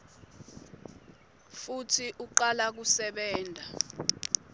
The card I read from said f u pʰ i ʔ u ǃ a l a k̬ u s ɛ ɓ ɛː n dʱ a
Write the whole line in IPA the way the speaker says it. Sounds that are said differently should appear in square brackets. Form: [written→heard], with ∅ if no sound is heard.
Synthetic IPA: f u [pʰ→tʰ] i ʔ u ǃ a l a k̬ u s ɛ ɓ ɛː n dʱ a